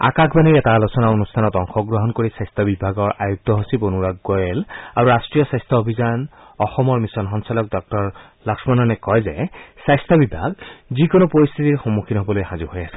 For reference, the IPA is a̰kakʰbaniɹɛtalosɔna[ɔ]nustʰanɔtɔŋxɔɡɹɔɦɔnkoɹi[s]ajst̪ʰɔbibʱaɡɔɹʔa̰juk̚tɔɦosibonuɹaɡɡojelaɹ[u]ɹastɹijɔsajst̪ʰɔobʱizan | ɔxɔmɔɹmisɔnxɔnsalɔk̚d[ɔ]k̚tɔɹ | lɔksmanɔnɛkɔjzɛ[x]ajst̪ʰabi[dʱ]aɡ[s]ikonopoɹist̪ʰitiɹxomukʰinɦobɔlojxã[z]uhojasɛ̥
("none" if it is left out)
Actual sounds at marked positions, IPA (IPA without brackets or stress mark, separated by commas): o, s, u, ɔ, s, bʱ, z, z